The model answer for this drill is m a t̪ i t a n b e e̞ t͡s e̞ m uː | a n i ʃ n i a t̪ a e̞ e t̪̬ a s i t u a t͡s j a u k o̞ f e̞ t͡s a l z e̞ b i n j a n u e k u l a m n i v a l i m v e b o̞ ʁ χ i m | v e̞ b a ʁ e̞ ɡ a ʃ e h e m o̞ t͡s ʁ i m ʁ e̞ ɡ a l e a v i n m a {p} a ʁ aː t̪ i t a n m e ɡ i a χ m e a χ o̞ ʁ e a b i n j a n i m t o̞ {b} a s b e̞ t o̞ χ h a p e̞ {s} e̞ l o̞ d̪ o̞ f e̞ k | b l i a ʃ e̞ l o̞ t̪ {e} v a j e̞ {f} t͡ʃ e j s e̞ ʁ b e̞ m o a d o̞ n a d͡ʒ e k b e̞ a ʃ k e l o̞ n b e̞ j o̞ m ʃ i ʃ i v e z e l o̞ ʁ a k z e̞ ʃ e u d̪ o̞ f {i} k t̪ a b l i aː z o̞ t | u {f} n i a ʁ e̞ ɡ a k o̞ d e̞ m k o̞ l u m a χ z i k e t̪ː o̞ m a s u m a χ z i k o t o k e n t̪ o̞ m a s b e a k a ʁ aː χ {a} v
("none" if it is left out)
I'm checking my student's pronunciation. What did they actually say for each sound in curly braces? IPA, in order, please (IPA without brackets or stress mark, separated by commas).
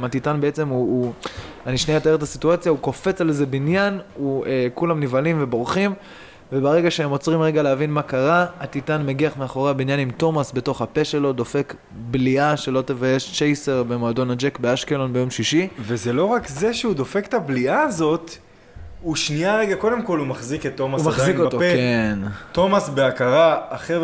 k, m, ʃ, e, ʃ, e, ʃ, e